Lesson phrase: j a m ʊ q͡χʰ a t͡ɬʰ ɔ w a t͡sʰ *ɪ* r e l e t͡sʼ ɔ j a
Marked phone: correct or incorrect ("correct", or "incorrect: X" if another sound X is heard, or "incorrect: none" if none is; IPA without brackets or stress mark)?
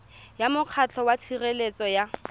incorrect: i